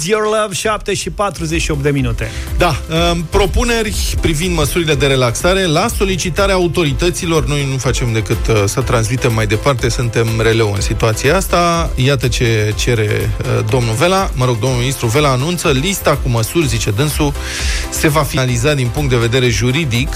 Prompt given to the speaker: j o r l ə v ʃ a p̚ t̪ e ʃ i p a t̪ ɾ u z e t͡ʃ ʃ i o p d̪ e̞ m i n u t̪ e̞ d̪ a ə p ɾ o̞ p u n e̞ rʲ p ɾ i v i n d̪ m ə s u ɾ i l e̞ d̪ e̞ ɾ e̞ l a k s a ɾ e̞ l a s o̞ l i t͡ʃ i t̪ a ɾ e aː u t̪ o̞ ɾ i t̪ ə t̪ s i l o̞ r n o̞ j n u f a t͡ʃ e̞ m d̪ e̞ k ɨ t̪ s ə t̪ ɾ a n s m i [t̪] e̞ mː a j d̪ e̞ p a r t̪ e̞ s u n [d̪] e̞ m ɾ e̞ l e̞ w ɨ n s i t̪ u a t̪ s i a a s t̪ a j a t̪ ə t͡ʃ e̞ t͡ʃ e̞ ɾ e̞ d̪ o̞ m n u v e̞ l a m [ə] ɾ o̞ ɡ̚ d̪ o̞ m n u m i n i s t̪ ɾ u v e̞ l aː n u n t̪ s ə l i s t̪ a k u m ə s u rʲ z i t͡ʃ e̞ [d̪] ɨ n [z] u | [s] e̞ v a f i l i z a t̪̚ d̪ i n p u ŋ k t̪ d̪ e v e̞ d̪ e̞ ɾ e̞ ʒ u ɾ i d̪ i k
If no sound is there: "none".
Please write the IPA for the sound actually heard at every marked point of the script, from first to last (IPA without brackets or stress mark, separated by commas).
t̪, t̪, ə, d̪, s, s